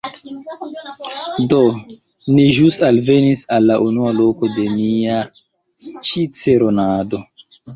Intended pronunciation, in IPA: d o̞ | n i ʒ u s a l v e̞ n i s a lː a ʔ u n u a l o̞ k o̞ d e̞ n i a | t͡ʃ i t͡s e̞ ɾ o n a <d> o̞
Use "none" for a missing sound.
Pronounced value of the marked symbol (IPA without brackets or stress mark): d